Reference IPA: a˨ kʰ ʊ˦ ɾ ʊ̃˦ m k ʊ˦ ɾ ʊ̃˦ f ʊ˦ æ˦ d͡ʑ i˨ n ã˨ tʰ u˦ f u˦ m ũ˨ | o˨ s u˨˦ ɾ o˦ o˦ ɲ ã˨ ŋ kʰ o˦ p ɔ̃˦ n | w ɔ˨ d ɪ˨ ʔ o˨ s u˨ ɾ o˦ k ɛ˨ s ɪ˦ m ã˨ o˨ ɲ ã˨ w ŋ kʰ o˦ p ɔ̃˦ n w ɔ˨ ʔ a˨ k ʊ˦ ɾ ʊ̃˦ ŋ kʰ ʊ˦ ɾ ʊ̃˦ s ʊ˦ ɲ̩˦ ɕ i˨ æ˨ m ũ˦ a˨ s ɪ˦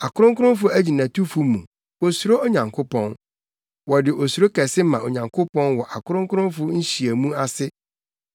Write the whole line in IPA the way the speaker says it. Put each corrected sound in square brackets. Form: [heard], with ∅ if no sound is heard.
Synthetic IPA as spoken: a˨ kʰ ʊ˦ ɾ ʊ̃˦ [ŋ] k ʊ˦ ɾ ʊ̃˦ f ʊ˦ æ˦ d͡ʑ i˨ n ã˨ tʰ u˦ f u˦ m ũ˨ | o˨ s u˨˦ ɾ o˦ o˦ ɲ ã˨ ŋ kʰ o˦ p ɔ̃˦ n | w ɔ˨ d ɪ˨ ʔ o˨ s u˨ ɾ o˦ k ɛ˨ s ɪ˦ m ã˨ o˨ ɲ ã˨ [∅] ŋ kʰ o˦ p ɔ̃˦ n w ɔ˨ ʔ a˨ k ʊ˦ ɾ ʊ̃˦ ŋ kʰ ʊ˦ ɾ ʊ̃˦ [f] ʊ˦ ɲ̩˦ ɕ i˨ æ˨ m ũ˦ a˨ s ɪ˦